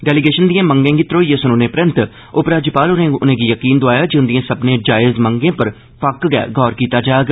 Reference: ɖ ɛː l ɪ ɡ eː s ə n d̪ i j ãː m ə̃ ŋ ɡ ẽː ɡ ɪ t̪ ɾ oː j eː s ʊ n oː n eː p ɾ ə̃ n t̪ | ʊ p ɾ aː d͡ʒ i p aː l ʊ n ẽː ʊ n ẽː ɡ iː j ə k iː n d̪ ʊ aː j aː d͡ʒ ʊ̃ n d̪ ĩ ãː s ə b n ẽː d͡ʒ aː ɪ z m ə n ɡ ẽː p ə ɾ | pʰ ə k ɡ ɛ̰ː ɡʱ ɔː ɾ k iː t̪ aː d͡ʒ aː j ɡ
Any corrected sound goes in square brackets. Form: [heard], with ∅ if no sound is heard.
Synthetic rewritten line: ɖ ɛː l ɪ ɡ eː [ʃ] ə n d̪ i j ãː m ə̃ ŋ ɡ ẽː ɡ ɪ t̪ ɾ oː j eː s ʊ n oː n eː p ɾ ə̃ n t̪ | ʊ p ɾ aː d͡ʒ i p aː l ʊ n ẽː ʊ n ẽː ɡ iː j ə k iː n d̪ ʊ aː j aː d͡ʒ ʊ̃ n d̪ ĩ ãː s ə b n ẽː d͡ʒ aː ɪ z m ə [ŋ] ɡ ẽː p ə ɾ | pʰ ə k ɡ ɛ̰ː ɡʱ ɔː ɾ k iː t̪ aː d͡ʒ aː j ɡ